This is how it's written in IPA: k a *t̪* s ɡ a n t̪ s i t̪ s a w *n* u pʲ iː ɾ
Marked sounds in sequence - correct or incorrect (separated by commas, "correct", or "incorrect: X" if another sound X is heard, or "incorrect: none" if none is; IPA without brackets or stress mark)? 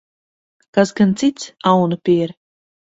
incorrect: none, correct